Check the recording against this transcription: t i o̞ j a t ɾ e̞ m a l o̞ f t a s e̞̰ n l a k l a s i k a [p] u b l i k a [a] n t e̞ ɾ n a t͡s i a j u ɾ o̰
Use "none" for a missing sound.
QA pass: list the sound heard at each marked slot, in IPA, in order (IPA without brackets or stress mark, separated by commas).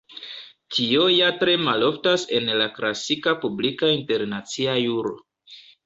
p, i